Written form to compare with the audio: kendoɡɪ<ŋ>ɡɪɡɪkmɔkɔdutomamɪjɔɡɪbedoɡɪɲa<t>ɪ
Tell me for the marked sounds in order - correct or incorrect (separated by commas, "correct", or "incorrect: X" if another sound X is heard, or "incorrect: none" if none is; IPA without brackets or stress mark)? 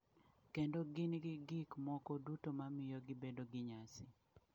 incorrect: n, incorrect: s